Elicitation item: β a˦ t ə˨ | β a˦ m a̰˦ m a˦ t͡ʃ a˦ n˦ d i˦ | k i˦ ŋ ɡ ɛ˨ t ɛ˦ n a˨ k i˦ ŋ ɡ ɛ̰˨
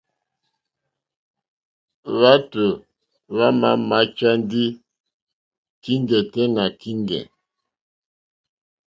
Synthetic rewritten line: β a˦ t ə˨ | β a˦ m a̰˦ m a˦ t͡ʃ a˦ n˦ d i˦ | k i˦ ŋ ɡ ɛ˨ t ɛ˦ n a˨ k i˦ ŋ ɡ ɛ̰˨